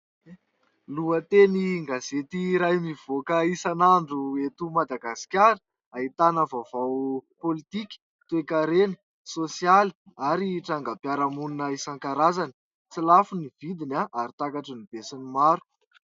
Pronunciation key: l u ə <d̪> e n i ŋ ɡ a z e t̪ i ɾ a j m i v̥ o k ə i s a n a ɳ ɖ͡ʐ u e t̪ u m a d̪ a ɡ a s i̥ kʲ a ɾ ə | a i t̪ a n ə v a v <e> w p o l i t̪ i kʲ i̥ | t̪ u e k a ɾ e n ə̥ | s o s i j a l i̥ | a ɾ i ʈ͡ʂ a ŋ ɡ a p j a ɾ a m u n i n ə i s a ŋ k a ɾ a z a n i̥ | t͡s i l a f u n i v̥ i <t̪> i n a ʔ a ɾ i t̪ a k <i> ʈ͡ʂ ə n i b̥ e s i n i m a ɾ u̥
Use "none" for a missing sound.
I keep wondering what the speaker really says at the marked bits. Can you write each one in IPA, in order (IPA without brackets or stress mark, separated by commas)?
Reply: t̪, a, d̪, a